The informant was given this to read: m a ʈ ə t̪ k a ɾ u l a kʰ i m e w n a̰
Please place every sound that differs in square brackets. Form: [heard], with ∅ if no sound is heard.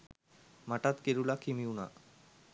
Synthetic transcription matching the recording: m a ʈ [a] t̪ k [e] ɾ u l a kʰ i m [i] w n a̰